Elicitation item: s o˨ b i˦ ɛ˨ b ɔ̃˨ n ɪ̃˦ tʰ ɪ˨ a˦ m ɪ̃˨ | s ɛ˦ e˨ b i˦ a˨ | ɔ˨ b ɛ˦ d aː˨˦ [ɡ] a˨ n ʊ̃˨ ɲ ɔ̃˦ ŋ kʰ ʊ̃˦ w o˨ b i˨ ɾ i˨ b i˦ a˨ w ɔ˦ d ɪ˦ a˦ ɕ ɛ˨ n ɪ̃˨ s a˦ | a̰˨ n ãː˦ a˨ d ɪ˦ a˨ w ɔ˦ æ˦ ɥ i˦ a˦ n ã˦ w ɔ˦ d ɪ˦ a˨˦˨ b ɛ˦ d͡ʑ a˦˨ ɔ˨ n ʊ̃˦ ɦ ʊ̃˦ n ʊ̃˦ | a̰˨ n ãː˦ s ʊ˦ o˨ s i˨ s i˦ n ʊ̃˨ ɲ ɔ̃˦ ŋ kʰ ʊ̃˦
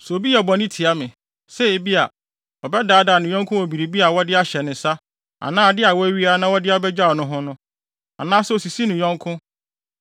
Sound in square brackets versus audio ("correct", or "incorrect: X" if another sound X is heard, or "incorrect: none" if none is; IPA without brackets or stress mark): incorrect: d